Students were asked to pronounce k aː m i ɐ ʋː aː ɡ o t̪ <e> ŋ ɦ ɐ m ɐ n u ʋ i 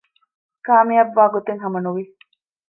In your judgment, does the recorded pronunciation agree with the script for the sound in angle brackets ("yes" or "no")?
yes